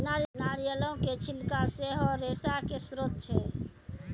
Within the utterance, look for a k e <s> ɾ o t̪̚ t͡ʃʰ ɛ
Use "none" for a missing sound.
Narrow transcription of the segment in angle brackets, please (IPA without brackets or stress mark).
s